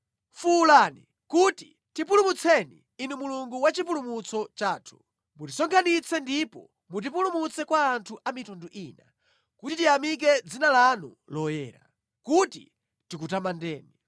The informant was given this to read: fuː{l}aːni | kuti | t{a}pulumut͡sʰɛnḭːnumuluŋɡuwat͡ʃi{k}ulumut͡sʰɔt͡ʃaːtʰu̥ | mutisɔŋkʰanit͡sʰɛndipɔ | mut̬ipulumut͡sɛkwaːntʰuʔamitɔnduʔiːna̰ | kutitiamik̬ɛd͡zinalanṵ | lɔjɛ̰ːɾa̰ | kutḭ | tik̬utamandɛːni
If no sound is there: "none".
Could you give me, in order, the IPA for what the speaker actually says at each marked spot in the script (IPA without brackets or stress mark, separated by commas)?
l, i, p